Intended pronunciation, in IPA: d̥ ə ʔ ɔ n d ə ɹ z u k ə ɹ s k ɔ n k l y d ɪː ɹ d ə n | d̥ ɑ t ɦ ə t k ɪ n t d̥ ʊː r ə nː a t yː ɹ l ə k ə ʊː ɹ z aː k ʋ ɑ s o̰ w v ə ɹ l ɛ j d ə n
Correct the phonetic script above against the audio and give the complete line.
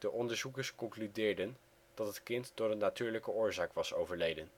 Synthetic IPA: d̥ ə ʔ ɔ n d ə ɹ z u k ə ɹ s k ɔ ŋ k l y d ɪː ɹ d ə n | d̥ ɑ t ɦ ə t k ɪ n t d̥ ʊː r ə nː a t yː ɹ l ə k ə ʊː ɹ z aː k ʋ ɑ s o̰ w v ə ɹ l e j d ə n